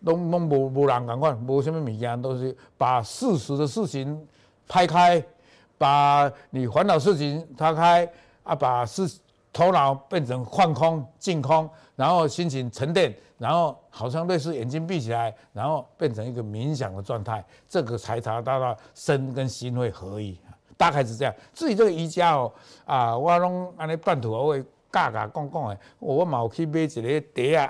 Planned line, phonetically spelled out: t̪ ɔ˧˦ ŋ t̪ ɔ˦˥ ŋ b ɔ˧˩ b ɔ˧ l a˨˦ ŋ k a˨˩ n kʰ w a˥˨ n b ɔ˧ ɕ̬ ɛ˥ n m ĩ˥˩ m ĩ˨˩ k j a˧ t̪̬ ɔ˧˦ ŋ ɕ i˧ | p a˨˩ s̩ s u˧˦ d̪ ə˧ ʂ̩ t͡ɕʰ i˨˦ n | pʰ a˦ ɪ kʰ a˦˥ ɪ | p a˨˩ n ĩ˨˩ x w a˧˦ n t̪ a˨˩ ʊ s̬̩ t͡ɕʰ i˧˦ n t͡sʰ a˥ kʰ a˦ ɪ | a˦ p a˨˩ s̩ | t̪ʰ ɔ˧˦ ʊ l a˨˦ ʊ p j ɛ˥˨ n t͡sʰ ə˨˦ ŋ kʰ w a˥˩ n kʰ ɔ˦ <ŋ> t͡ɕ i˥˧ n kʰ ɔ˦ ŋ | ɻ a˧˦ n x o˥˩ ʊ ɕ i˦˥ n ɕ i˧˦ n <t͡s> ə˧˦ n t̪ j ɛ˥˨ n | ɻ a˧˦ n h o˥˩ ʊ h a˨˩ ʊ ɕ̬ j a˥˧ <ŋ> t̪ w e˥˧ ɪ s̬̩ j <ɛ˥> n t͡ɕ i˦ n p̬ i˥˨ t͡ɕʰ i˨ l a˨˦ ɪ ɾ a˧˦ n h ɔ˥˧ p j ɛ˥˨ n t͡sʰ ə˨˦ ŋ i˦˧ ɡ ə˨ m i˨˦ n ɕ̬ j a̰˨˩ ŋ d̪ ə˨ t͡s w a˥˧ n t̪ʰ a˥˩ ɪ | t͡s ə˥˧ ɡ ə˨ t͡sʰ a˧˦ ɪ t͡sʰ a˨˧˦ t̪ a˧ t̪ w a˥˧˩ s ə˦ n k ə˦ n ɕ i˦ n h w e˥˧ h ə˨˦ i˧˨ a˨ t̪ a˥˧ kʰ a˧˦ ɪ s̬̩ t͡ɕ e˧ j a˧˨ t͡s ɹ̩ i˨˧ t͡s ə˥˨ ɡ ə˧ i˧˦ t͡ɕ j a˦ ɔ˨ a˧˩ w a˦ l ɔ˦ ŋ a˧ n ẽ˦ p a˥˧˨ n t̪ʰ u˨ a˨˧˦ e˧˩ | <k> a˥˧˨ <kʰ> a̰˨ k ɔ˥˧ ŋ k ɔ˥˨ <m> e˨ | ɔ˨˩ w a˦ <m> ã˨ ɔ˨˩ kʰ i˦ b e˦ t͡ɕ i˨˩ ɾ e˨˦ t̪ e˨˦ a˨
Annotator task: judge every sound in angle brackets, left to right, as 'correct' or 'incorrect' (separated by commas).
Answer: correct, incorrect, correct, incorrect, correct, incorrect, incorrect, correct